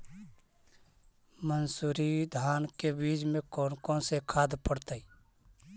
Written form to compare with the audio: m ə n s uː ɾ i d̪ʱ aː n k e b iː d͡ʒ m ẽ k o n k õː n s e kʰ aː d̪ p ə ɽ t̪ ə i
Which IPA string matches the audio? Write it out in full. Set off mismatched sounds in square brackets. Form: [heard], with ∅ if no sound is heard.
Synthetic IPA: m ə n s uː ɾ i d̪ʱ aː n k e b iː d͡ʒ m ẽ k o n k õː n s e kʰ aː d̪ p ə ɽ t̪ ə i

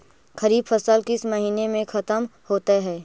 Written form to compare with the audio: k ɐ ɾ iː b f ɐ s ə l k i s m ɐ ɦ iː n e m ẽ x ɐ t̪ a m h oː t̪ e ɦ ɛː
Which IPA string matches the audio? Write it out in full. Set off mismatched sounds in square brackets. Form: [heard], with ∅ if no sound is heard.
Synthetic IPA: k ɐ ɾ iː b f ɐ s ə l k [ɪ] s m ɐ ɦ iː n e m ẽ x ɐ t̪ [ə] m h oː t̪ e ɦ ɛː

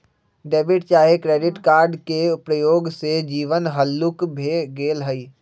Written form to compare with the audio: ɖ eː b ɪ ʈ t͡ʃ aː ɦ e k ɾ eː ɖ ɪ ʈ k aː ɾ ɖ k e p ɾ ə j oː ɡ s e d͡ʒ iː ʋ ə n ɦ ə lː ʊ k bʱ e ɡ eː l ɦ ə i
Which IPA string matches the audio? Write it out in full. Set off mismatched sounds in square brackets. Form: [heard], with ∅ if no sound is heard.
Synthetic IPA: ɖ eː b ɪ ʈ t͡ʃ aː ɦ e k ɾ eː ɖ ɪ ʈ k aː ɾ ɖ k e p ɾ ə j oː ɡ s e d͡ʒ iː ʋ ə n ɦ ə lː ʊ k bʱ e ɡ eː l ɦ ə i

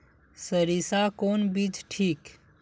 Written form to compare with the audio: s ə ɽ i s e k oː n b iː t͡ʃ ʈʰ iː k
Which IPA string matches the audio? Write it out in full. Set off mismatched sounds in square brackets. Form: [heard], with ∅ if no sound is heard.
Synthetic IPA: s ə [ɾ] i s [a] k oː n b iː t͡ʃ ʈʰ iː k

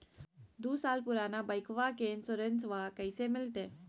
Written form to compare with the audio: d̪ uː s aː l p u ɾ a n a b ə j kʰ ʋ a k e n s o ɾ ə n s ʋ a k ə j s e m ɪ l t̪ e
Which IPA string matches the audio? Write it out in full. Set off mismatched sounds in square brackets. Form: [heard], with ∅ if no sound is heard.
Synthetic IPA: d̪ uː s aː l p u ɾ a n a b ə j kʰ ʋ a k e n s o ɾ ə n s ʋ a k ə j s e m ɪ l t̪ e

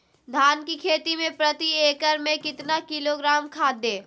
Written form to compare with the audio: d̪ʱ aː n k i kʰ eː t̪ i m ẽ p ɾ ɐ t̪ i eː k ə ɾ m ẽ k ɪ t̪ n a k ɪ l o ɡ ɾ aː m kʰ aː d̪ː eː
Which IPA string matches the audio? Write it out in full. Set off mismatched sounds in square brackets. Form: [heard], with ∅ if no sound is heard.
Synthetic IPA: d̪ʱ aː n k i kʰ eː t̪ i m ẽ p ɾ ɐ t̪ i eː k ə ɾ m ẽ k ɪ t̪ n a k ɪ l o ɡ ɾ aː m kʰ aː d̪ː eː

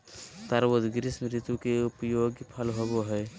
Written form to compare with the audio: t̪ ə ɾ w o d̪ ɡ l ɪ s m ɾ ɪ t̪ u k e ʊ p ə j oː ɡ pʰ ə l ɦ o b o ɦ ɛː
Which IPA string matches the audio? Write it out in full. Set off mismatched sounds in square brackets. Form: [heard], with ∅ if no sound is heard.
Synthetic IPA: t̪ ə ɾ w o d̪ ɡ [ɾ] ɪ s m ɾ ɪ t̪ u k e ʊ p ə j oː ɡ pʰ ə l ɦ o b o ɦ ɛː

